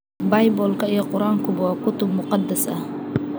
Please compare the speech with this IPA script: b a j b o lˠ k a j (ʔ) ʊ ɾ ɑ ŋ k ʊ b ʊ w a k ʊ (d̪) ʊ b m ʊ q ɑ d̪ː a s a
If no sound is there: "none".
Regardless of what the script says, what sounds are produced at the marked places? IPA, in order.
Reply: q, t̪

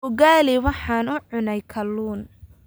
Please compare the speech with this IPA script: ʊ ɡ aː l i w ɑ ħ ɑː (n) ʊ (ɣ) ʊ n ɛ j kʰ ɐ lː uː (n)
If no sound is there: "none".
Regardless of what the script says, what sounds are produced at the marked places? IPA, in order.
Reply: n, ʕ, n

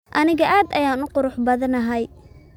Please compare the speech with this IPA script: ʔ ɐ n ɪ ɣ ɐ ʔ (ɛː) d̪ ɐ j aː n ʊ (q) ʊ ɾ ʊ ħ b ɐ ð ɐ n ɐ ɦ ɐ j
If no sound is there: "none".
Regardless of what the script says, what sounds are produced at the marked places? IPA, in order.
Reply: aː, q

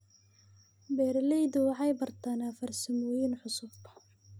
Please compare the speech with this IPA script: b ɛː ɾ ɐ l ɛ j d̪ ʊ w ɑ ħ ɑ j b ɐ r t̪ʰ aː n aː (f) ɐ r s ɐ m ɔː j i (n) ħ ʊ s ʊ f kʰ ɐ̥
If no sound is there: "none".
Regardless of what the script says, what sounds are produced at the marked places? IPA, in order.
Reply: f, n

